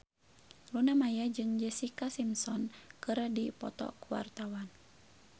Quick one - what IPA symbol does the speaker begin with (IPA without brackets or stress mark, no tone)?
l